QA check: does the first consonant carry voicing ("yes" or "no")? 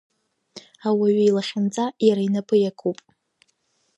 yes